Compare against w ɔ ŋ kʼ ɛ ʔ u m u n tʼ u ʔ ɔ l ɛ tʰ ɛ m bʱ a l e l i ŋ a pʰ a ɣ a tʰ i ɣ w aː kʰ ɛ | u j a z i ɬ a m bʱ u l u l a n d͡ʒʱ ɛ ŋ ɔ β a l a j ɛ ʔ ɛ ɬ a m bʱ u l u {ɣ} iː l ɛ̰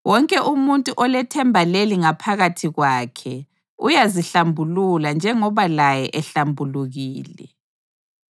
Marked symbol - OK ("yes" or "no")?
yes